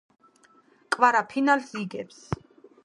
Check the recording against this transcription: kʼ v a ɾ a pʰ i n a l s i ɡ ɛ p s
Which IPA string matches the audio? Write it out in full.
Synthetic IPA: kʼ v a ɾ a pʰ i n a l s i ɡ ɛ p s